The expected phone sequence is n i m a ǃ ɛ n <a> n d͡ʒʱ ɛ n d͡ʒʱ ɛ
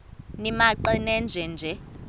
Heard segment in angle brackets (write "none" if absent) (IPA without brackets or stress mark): ɛ